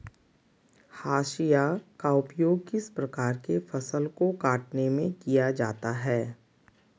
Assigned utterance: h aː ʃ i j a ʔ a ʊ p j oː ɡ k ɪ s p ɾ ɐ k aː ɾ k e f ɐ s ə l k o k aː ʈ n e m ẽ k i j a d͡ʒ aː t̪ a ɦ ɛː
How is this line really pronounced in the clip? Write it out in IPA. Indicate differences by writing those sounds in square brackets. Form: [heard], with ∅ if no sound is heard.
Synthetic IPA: h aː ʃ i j a [k] a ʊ p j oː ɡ k ɪ s p ɾ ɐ k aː ɾ k e f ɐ s ə l k o k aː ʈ n e m ẽ k i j a d͡ʒ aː t̪ a ɦ ɛː